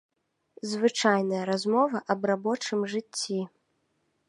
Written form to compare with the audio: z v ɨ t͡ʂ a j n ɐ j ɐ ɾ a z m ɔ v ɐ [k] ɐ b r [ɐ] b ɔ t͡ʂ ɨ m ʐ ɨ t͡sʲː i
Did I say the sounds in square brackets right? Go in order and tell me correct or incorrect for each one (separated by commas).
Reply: incorrect, incorrect